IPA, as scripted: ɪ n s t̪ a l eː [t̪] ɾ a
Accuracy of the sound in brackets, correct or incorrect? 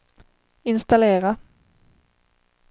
incorrect